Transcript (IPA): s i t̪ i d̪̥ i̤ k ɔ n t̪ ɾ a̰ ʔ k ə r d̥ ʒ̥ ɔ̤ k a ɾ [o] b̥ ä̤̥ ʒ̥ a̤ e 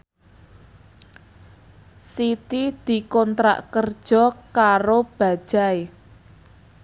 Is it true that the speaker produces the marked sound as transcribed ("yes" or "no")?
yes